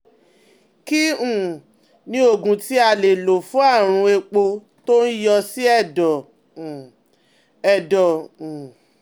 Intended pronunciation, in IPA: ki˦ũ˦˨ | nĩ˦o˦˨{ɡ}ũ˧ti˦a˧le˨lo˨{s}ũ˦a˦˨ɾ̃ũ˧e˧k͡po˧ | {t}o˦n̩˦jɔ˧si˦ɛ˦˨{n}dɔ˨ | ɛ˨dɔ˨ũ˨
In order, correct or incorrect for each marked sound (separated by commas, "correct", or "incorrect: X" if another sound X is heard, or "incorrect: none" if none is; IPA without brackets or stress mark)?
correct, incorrect: f, correct, incorrect: none